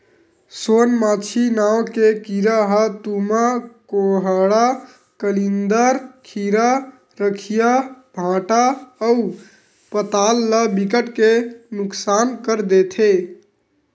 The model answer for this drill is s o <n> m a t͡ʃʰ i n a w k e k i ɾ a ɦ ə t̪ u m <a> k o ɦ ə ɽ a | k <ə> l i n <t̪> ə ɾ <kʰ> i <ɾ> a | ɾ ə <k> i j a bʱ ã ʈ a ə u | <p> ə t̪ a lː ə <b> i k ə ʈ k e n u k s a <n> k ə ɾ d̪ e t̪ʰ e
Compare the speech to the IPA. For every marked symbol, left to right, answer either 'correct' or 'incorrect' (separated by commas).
correct, correct, correct, incorrect, correct, correct, incorrect, correct, correct, correct